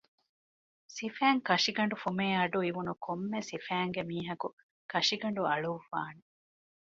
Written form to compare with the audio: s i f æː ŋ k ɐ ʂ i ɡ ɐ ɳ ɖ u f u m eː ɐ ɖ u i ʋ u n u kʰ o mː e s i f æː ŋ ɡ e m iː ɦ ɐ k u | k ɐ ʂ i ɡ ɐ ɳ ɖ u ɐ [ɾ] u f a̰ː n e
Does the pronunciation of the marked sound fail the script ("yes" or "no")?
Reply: yes